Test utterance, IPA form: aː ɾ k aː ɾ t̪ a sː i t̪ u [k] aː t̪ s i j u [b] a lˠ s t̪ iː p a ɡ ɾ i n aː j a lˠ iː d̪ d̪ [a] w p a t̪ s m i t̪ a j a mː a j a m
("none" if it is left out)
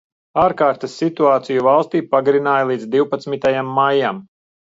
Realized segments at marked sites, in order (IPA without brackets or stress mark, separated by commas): none, v, i